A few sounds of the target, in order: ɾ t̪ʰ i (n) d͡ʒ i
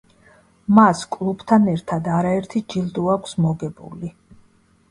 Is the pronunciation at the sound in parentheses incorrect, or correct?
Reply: incorrect